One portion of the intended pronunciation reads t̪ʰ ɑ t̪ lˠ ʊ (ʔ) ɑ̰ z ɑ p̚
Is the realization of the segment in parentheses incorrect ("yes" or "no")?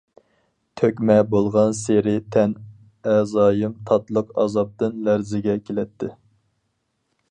yes